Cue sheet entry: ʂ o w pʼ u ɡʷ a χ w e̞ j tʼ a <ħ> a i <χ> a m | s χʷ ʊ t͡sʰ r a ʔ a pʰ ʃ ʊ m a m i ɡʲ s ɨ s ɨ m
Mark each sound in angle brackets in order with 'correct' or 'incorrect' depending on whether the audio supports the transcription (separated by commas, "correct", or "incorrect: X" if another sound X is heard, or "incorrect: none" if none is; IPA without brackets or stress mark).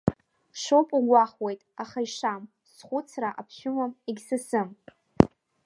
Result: incorrect: χ, incorrect: ʂ